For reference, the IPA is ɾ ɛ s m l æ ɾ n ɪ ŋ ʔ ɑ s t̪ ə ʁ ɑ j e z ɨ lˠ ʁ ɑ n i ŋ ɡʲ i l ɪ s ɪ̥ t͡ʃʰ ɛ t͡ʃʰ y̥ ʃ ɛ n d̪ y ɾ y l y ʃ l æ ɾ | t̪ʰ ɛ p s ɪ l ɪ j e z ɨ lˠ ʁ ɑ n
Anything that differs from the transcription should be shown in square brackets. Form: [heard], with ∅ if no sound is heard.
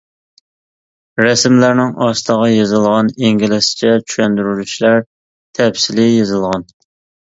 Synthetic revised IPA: ɾ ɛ s m l æ ɾ n ɪ ŋ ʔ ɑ s t̪ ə ʁ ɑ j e z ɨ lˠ ʁ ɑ n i ŋ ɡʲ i l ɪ s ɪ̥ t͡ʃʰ ɛ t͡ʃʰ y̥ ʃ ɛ n d̪ y ɾ y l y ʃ l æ ɾ | t̪ʰ ɛ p s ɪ l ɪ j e z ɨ lˠ ʁ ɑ n